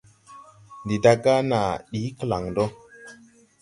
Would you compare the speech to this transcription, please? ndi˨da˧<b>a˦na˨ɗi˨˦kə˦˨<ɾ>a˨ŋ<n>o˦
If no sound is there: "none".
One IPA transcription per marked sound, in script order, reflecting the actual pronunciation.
ɡ, l, d

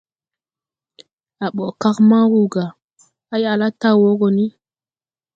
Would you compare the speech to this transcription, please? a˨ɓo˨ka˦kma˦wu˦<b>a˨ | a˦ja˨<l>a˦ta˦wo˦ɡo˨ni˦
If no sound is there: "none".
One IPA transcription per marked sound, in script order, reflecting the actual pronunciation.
ɡ, l

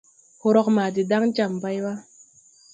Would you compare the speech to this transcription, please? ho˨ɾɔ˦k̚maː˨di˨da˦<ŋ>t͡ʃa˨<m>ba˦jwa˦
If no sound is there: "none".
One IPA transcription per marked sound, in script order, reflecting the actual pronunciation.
ŋ, m

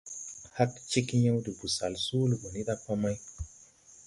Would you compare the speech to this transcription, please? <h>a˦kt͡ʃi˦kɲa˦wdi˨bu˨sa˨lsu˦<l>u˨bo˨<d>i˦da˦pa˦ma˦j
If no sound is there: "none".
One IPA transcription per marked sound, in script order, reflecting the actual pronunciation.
h, l, n

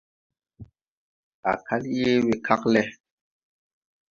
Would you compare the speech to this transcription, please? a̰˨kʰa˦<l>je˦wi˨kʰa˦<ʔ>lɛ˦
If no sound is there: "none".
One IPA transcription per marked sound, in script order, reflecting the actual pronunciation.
l, k

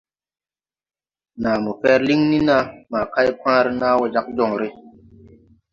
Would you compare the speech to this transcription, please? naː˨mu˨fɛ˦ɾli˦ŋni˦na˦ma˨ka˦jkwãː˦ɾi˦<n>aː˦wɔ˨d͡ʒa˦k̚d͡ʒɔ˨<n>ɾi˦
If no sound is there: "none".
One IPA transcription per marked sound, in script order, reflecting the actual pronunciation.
n, ŋ

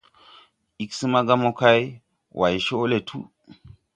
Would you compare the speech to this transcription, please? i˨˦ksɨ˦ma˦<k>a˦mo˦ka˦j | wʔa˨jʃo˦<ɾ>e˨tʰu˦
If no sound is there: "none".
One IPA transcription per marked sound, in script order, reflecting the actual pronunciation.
ɡ, l

